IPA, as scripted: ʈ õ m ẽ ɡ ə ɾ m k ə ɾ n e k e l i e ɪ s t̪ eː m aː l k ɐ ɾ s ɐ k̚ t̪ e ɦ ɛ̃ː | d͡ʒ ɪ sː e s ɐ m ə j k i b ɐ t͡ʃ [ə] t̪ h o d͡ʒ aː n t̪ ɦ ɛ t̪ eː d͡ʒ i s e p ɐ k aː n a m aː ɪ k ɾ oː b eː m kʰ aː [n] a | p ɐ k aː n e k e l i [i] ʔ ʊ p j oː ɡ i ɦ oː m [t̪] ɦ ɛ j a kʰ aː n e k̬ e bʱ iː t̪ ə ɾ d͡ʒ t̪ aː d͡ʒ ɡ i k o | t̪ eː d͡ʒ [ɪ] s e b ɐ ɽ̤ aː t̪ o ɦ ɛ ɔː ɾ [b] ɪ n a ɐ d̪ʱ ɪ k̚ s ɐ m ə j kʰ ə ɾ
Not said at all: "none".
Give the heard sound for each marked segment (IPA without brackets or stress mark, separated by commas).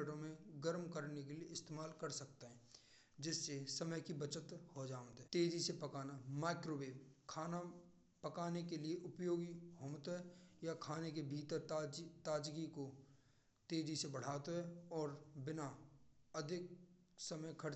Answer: ə, n, e, t̪, i, b